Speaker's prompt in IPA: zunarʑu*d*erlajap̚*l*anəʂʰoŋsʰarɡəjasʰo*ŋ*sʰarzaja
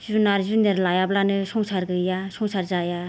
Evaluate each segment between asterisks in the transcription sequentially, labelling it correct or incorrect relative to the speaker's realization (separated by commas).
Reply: incorrect, correct, correct